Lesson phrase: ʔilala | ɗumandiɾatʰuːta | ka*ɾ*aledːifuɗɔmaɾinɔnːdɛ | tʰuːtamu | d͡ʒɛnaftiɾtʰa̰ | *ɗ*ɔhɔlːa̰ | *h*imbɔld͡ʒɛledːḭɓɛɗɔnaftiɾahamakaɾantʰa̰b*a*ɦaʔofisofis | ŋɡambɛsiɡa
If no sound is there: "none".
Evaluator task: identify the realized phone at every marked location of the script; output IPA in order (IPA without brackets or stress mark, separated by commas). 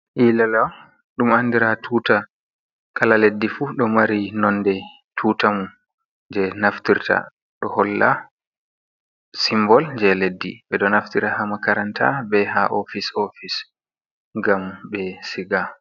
l, ɗ, s, ɛ